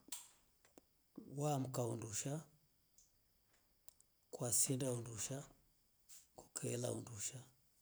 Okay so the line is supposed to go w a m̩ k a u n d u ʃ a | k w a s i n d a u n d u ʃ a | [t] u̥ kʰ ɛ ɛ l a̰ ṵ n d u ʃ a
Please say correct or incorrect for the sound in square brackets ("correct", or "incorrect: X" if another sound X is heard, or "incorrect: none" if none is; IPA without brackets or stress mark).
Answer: incorrect: k